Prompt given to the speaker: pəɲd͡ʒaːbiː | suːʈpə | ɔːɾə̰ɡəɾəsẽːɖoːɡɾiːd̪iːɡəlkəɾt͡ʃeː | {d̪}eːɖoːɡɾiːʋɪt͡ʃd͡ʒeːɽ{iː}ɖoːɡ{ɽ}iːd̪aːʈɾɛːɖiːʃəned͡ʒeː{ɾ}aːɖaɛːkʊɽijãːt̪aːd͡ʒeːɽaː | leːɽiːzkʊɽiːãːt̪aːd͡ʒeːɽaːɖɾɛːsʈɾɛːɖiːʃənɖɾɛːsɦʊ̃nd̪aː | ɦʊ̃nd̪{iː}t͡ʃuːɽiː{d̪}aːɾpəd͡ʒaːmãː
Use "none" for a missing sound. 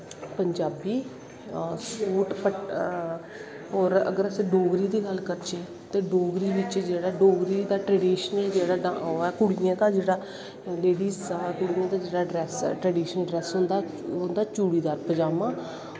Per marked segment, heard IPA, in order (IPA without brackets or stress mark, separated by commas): t̪, aː, ɾ, ɽ, aː, d̪